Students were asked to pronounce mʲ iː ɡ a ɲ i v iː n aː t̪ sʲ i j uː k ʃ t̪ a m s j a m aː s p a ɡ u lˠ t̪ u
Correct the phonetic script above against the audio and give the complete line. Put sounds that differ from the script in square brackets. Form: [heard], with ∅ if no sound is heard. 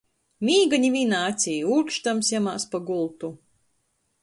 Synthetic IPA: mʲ iː ɡ a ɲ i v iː n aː t̪ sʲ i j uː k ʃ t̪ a m s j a m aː s p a ɡ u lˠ t̪ u